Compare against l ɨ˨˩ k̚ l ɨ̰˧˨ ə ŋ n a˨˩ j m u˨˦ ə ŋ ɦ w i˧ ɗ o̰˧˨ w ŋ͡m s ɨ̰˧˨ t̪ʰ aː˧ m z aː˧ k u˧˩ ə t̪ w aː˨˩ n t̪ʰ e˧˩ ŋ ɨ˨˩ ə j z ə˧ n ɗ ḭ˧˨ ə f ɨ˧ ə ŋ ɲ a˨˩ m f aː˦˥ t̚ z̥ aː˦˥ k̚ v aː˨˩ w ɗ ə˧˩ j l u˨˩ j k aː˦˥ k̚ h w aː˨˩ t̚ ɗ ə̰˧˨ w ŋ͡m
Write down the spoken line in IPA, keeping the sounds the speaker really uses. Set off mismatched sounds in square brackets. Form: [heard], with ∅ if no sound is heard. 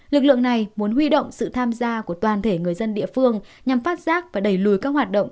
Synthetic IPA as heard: l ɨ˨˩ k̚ l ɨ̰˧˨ ə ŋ n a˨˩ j m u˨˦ ə [n] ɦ w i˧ ɗ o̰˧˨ w ŋ͡m s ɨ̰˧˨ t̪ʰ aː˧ m z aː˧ k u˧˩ ə t̪ w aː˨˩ n t̪ʰ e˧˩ ŋ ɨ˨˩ ə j z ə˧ n ɗ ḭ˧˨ ə f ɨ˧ ə ŋ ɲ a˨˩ m f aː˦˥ t̚ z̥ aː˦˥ k̚ v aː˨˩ [∅] ɗ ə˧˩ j l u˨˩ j k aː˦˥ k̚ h w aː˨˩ t̚ ɗ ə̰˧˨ w ŋ͡m